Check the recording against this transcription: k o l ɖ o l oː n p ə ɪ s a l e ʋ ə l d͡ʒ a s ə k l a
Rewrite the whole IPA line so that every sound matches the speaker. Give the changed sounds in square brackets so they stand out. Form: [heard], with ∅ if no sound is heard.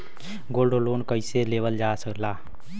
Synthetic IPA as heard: [ɡ] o l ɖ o l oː n [k] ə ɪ s [e] l e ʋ ə l d͡ʒ a s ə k l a